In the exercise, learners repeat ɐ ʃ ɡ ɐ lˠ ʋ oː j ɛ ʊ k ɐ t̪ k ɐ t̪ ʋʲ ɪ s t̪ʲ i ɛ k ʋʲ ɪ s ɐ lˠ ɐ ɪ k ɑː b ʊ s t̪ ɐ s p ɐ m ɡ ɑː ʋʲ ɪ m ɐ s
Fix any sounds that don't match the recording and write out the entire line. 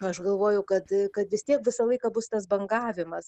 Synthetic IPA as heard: ɐ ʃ ɡ ɐ lˠ ʋ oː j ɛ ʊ k ɐ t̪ k ɐ t̪ ʋʲ ɪ s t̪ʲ i ɛ k ʋʲ ɪ s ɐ lˠ ɐ ɪ k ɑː b ʊ s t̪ ɐ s b ɐ ŋ ɡ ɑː ʋʲ ɪ m ɐ s